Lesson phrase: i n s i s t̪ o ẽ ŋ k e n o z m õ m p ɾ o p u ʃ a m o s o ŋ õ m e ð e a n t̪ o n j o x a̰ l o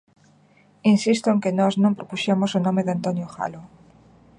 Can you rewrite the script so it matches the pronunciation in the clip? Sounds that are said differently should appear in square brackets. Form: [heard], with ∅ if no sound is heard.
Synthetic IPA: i n s i s t̪ o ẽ ŋ k e n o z [n] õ m p ɾ o p u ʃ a m o s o [n] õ m e ð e a n t̪ o n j o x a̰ l o